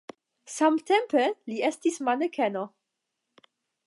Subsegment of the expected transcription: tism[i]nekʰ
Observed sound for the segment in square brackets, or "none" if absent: a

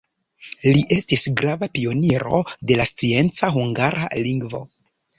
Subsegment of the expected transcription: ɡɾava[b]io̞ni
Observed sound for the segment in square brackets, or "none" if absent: p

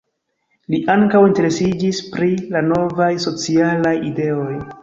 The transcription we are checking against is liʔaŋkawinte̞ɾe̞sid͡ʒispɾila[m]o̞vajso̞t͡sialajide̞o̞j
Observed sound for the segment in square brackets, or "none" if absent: n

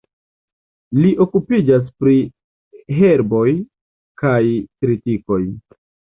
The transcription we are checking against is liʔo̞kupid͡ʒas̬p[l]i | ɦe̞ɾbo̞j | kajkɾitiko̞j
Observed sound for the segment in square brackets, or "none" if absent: ɾ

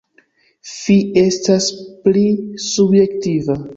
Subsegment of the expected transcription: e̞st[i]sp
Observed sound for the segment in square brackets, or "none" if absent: a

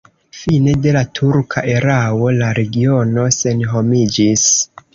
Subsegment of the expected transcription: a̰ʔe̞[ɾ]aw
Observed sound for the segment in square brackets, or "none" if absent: ɾ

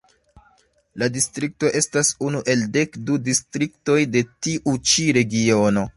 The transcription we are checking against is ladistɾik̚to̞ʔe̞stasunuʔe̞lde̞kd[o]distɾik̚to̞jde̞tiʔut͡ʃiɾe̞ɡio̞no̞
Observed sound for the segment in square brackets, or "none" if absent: u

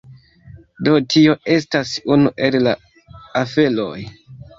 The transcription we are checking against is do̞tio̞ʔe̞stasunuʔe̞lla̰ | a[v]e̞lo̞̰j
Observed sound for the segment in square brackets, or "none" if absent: f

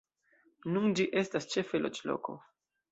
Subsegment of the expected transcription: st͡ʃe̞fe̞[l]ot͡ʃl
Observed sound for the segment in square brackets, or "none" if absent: l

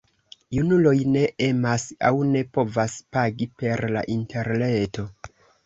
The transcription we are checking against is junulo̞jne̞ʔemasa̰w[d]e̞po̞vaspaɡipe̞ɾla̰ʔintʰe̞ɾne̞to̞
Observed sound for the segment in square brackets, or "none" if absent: n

